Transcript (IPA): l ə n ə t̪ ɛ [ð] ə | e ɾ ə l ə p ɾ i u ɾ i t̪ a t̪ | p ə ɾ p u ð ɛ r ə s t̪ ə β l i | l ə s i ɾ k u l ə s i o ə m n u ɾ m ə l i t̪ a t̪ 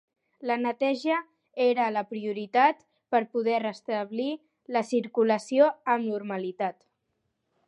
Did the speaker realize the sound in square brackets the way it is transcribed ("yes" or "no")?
no